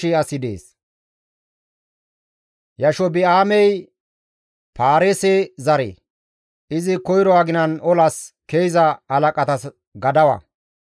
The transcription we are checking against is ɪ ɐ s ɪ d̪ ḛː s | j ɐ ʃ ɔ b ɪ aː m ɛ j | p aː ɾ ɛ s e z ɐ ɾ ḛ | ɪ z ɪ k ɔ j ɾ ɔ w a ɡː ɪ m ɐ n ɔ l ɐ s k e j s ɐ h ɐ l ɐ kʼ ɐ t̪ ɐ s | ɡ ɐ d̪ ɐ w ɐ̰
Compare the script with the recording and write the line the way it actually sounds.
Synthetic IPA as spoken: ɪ ɐ s ɪ d̪ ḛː s | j ɐ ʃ ɔ b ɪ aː m ɛ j | p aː ɾ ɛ s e z ɐ ɾ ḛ | ɪ z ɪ k ɔ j ɾ ɔ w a ɡ ɪ n ɐ n ɔ l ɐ s k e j z ɐ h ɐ l ɐ kʼ ɐ t̪ ɐ s | ɡ ɐ d̪ ɐ w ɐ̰